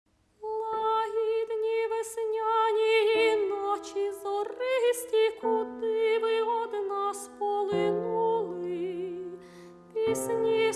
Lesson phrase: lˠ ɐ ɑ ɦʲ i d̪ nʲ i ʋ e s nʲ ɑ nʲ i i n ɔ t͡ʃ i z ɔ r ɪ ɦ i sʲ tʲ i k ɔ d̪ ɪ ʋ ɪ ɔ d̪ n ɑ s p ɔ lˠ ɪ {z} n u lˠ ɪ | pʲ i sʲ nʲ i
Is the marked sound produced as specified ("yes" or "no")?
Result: no